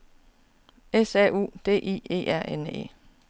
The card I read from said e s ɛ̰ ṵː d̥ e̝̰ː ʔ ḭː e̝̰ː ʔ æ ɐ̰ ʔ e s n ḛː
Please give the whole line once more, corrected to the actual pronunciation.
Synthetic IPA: e s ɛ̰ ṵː d̥ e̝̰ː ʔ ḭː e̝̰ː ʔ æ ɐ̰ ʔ e n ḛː